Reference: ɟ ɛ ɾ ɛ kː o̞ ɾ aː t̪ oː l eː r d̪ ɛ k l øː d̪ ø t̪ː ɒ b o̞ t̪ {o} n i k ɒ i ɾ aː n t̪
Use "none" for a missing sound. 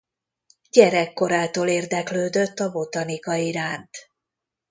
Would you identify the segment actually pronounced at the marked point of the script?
ɒ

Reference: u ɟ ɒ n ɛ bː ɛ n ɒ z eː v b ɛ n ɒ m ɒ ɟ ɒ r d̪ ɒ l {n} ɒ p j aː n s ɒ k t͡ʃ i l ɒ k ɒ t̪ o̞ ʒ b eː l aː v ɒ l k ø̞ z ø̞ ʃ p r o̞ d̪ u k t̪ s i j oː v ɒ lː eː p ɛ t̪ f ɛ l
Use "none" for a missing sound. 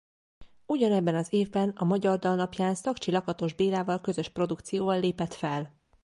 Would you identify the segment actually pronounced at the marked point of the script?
n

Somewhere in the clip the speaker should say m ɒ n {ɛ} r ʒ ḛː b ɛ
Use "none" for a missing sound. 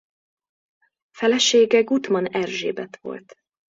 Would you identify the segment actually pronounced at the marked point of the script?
ɛ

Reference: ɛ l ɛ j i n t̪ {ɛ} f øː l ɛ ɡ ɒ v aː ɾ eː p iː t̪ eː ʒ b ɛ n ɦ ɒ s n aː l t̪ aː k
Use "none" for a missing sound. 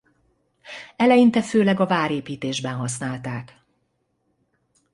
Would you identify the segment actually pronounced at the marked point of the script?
ɛ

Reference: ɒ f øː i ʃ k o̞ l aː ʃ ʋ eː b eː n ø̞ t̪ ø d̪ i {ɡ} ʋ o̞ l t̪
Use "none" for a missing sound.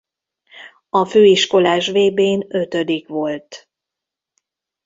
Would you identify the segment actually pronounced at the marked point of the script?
k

